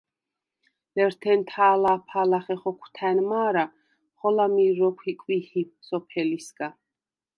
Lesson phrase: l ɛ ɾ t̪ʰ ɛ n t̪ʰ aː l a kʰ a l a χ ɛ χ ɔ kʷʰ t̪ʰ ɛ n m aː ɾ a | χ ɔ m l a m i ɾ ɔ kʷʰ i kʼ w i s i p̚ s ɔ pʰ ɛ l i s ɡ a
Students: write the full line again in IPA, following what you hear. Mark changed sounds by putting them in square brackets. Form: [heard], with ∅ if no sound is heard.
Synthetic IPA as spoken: l ɛ ɾ t̪ʰ ɛ n t̪ʰ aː l a [pʰ] a l a χ ɛ χ ɔ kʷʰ t̪ʰ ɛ n m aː ɾ a | χ ɔ [∅] l a m i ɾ ɔ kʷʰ i kʼ w i [h] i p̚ s ɔ pʰ ɛ l i s ɡ a